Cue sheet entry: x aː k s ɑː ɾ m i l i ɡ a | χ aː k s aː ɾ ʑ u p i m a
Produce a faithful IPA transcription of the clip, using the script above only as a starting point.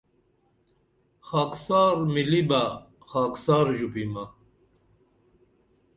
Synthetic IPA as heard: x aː k s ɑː ɾ m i l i b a | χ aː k s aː ɾ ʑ u p i m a